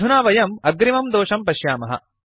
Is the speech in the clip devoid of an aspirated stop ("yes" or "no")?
yes